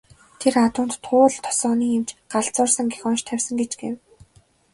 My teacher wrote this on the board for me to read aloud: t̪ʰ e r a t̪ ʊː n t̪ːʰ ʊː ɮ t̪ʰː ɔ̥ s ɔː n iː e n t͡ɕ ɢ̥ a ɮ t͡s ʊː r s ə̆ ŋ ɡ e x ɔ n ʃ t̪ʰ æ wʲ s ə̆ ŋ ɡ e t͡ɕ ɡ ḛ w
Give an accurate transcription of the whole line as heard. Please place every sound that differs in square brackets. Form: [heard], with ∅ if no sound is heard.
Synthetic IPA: t̪ʰ e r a t̪ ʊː n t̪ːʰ ʊː ɮ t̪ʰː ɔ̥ s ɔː n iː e [m] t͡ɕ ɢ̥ a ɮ t͡s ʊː r s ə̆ ŋ ɡ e x ɔ n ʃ t̪ʰ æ wʲ s ə̆ ŋ ɡ e t͡ɕ ɡ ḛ w